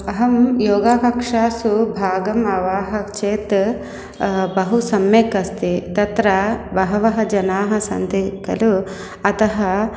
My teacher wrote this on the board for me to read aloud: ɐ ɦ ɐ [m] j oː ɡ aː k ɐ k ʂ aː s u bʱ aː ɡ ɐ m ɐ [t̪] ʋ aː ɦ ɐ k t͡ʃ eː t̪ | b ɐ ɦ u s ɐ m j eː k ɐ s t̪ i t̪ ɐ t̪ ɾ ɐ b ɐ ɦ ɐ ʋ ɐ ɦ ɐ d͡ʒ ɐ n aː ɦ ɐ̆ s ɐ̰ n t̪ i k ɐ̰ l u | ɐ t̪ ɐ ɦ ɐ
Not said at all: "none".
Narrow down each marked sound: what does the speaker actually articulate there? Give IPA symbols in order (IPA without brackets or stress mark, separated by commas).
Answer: m, none